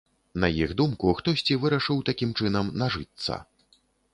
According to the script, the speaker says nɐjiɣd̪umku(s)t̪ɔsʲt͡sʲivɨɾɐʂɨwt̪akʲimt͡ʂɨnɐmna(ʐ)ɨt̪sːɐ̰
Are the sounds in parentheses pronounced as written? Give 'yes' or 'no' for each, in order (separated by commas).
no, yes